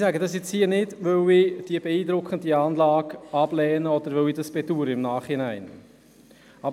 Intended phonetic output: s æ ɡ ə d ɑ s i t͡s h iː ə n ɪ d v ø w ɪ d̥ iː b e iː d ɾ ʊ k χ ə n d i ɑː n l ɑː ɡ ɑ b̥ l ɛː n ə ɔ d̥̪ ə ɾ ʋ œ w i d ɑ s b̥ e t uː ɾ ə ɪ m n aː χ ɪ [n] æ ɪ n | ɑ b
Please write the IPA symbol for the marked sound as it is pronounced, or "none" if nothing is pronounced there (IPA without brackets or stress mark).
n